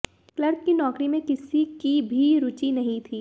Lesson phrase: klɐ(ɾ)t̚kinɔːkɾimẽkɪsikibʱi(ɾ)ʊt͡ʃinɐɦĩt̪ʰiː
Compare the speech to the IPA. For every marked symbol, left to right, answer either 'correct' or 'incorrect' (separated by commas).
correct, correct